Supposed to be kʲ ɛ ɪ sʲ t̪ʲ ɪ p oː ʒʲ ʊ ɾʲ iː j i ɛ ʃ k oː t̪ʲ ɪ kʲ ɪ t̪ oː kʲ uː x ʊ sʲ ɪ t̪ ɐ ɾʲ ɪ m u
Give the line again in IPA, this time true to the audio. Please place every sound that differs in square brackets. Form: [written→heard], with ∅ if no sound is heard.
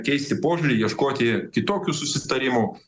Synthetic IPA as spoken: kʲ ɛ ɪ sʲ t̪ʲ ɪ p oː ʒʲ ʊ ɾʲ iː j i ɛ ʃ k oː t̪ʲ ɪ kʲ ɪ t̪ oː kʲ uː [x→s] ʊ sʲ ɪ t̪ ɐ ɾʲ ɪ m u